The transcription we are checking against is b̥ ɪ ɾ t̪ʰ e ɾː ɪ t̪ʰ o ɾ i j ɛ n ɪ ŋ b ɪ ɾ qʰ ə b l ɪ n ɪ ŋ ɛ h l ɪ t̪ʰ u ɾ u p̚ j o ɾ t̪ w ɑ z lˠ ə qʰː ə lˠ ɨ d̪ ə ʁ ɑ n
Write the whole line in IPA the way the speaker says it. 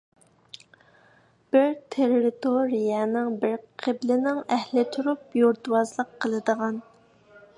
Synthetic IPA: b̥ ɪ ɾ t̪ʰ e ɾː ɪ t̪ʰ o ɾ i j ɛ n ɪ ŋ b ɪ ɾ qʰ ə b l ɪ n ɪ ŋ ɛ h l ɪ t̪ʰ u ɾ u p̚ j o ɾ t̪ w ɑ z lˠ ə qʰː ə lˠ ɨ d̪ ə ʁ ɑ n